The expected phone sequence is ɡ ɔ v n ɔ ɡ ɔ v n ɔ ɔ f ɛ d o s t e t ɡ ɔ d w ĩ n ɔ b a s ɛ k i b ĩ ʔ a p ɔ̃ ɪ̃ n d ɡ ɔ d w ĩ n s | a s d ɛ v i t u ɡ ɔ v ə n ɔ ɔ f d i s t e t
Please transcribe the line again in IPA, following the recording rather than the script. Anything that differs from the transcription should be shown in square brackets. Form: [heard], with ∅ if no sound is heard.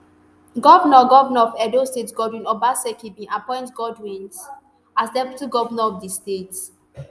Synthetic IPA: ɡ ɔ v n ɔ ɡ ɔ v n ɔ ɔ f ɛ d o s t e t ɡ ɔ d w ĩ n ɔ b a s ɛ k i b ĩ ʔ a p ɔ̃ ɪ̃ n [t] ɡ ɔ d w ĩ n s | a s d ɛ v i t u ɡ ɔ v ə n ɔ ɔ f d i s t e t